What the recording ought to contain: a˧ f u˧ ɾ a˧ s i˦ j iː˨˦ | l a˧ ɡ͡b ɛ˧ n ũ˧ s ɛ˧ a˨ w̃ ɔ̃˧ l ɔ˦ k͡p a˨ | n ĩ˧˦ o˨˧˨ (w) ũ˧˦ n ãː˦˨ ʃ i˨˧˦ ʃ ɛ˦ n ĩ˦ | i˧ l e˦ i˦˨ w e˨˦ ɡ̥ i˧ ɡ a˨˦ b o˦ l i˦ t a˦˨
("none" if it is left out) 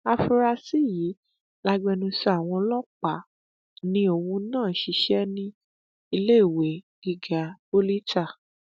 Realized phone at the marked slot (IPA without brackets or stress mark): w